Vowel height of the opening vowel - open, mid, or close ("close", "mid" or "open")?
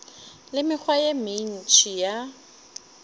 close